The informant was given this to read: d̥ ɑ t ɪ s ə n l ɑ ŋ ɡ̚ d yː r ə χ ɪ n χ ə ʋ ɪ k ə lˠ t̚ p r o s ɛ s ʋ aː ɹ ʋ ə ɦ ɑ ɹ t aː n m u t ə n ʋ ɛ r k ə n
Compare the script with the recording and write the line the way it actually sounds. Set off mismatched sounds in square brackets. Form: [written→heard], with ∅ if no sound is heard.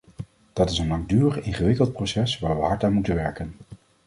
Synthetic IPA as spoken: d̥ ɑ t ɪ s ə n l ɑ ŋ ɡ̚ d yː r ə χ ɪ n χ ə ʋ ɪ k ə lˠ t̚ p r o s ɛ s ʋ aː ɹ ʋ ə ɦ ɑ ɹ t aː n m u t ə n ʋ ɛ [r→ɹ] k ə n